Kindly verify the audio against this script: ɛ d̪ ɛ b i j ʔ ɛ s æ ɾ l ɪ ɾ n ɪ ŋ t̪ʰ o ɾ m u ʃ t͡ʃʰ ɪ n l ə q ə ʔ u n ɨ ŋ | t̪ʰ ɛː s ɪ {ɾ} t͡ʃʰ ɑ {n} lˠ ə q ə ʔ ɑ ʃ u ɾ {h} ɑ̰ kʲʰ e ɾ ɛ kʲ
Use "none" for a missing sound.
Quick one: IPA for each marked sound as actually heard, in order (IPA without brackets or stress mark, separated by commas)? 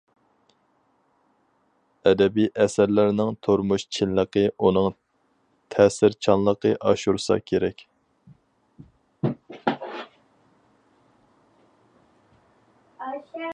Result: ɾ, n, s